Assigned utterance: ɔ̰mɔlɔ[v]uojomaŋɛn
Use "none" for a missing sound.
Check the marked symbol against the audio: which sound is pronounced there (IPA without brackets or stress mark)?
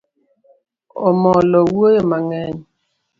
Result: w